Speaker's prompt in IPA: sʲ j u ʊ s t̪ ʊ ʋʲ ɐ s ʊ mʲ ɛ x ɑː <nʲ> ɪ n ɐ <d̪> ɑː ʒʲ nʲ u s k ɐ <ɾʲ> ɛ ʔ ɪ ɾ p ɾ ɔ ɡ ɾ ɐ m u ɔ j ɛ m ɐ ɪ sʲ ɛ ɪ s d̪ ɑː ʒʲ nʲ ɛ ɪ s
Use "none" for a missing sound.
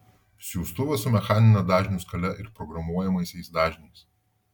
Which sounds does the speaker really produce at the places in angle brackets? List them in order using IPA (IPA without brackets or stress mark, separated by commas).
nʲ, d̪, lʲ